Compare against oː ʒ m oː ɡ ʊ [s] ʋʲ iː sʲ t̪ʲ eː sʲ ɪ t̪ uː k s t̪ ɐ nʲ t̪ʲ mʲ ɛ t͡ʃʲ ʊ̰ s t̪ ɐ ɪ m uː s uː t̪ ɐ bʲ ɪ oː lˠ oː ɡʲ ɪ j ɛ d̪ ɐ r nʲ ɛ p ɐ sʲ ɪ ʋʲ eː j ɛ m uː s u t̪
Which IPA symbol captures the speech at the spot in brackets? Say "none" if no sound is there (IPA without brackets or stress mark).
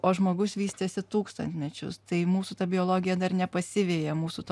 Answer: s